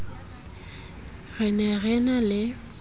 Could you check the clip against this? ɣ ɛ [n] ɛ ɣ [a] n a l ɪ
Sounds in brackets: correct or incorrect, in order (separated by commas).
correct, incorrect